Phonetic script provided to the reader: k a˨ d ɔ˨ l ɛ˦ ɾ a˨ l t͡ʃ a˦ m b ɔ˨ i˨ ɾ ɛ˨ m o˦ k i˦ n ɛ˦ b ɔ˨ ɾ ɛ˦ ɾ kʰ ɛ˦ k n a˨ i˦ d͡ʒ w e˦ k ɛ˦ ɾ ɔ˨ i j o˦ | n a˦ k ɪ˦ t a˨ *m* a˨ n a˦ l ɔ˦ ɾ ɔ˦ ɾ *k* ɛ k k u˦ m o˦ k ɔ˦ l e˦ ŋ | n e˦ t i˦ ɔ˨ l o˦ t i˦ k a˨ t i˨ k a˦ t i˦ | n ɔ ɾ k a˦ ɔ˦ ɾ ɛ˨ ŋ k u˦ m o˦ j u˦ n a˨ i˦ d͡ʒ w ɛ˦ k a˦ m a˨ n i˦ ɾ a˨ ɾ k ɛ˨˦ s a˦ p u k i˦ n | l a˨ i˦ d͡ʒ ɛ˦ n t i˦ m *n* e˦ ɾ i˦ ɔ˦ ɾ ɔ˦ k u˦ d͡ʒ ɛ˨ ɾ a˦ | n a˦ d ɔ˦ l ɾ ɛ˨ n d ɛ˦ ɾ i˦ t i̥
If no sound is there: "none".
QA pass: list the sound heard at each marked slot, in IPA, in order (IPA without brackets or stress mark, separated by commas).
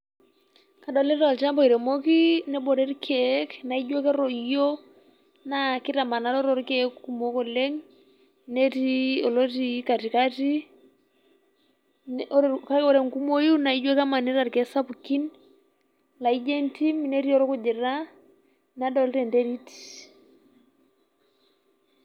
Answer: m, k, n